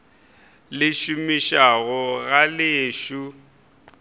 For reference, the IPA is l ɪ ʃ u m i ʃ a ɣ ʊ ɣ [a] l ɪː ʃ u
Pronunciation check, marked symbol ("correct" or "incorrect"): correct